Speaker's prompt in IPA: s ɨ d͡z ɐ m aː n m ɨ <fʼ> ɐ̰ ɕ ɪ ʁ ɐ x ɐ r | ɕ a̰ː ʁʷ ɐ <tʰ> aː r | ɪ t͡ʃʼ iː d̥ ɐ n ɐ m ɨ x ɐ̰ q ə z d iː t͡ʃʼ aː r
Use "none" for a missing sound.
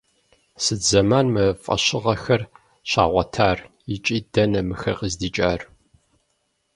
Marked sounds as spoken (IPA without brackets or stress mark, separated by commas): fʼ, tʰ